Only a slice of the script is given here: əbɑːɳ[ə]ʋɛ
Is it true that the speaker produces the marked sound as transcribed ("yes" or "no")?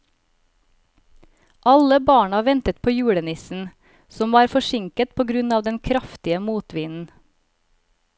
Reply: no